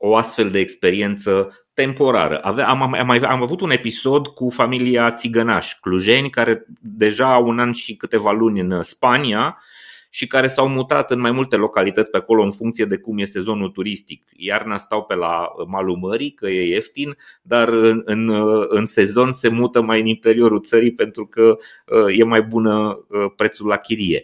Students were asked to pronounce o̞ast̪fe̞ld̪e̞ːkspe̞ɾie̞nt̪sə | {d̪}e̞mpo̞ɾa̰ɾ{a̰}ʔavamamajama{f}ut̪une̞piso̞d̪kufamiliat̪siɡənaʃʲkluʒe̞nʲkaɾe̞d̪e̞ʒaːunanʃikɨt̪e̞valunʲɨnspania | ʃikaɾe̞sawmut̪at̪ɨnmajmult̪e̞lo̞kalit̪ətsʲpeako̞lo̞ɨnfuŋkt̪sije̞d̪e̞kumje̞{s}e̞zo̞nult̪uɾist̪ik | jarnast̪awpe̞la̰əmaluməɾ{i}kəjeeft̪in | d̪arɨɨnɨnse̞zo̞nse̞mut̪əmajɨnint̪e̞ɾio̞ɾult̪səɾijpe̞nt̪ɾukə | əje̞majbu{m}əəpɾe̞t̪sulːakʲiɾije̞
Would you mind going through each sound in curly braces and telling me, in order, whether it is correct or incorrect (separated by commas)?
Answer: incorrect, incorrect, incorrect, correct, correct, incorrect